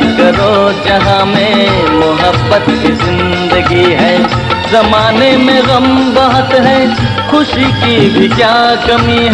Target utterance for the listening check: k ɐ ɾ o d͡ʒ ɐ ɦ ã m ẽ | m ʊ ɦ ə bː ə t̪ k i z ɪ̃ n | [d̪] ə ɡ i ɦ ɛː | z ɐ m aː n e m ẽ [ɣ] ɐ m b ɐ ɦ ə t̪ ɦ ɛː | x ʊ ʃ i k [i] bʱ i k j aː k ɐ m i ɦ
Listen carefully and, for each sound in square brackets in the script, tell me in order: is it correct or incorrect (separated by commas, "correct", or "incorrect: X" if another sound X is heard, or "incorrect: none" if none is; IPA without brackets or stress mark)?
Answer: correct, correct, correct